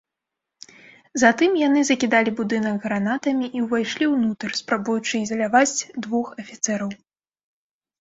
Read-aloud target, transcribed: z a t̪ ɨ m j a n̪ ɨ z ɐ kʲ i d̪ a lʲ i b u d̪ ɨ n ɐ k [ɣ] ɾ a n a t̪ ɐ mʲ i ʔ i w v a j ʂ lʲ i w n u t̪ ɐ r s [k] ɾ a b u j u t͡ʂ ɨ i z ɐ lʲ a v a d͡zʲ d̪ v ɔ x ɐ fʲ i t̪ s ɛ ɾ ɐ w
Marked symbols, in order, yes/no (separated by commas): yes, no